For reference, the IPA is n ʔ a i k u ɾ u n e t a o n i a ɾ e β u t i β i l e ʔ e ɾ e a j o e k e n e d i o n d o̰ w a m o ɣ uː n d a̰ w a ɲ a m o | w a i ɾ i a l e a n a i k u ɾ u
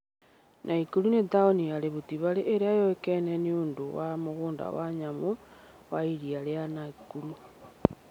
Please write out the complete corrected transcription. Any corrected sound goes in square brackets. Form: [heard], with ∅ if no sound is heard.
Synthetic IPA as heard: n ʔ a i k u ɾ u n e t a o n i a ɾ e β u t i β [a] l e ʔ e ɾ e a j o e k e n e [n] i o n d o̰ w a m o ɣ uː n d a̰ w a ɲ a m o | w a i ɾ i a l e a n a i k u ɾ u